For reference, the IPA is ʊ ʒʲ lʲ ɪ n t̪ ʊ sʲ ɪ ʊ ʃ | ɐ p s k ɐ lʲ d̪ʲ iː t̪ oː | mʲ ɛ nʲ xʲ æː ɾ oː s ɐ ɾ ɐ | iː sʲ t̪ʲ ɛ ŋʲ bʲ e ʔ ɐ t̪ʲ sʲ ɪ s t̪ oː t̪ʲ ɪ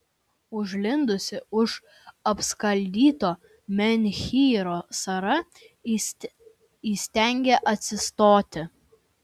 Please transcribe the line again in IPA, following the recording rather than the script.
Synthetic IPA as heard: ʊ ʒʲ lʲ ɪ n d̪ ʊ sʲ ɪ ʊ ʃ | ɐ p s k ɐ lʲ d̪ʲ iː t̪ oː | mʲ ɛ nʲ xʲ iː ɾ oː s ɐ ɾ ɐ | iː sʲ t̪ʲ ɛ ŋʲ ɡʲ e ʔ ɐ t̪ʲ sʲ ɪ s t̪ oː t̪ʲ ɪ

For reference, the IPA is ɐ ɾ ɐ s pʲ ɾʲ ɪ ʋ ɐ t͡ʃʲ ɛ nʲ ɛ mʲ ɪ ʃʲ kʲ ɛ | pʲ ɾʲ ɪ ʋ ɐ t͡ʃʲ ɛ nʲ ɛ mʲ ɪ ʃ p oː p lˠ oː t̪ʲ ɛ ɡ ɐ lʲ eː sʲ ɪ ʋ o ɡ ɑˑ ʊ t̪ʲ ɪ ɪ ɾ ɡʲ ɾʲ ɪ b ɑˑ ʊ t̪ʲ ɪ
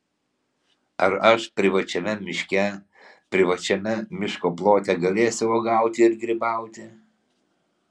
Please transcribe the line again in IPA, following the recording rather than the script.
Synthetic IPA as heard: ɐ ɾ ɐ ʃ pʲ ɾʲ ɪ ʋ ɐ t͡ʃʲ ɛ mʲ ɛ mʲ ɪ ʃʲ kʲ ɛ | pʲ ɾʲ ɪ ʋ ɐ t͡ʃʲ ɛ mʲ ɛ mʲ ɪ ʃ k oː p lˠ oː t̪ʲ ɛ ɡ ɐ lʲ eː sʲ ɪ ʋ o ɡ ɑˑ ʊ t̪ʲ ɪ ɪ ɾ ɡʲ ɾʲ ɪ b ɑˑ ʊ t̪ʲ ɪ

